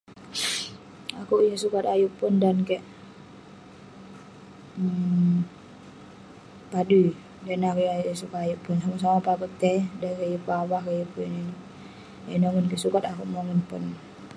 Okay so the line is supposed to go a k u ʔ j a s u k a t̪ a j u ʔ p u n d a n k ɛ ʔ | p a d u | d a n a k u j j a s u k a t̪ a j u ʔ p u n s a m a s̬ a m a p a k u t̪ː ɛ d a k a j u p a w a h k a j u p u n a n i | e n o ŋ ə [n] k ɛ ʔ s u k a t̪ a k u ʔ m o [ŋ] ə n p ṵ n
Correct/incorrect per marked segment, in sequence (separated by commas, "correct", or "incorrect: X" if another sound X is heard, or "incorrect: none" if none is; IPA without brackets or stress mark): correct, correct